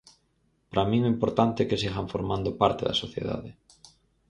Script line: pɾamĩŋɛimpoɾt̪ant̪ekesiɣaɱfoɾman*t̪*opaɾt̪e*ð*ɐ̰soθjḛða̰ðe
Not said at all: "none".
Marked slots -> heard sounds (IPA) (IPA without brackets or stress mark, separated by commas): d̪, ð